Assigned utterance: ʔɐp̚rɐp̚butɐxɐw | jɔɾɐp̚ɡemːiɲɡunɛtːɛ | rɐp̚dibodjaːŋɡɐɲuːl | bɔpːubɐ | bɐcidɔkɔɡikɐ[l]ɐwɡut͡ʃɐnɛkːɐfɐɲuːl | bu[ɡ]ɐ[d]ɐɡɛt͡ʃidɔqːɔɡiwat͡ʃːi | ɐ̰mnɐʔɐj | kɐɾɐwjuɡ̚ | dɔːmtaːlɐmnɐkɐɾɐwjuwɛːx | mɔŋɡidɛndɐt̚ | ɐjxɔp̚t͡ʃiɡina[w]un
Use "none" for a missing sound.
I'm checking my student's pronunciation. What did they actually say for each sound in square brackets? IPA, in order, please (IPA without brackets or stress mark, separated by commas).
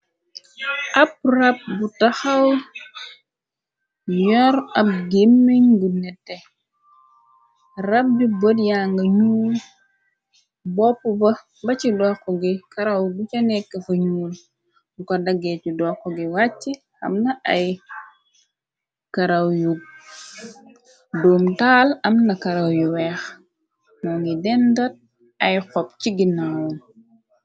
ɾ, k, d, w